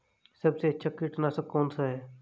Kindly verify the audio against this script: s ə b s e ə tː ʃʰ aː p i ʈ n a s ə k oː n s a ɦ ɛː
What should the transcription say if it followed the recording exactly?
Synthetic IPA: s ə b s e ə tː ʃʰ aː k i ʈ n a s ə k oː n s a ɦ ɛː